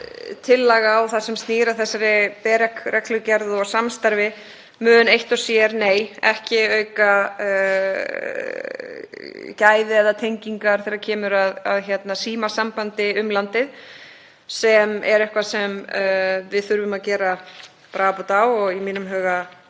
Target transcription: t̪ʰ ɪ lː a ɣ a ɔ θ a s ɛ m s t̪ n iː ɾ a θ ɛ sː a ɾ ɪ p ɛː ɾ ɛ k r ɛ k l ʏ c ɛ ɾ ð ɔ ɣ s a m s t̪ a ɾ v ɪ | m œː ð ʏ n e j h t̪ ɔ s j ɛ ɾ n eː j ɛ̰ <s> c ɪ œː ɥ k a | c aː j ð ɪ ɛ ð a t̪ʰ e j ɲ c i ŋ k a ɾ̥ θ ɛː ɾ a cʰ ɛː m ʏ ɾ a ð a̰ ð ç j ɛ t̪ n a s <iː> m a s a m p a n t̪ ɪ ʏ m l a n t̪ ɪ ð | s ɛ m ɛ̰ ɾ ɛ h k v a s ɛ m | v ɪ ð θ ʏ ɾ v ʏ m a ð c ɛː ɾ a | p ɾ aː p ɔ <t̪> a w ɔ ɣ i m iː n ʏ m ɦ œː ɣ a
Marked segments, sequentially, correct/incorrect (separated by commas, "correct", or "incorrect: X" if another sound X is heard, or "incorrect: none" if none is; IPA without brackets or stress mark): incorrect: h, correct, correct